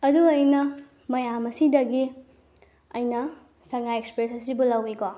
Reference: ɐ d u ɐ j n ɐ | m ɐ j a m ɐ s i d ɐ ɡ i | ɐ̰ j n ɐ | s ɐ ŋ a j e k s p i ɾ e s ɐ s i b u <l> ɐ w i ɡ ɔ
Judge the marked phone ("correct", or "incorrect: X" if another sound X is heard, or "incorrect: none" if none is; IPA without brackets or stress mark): correct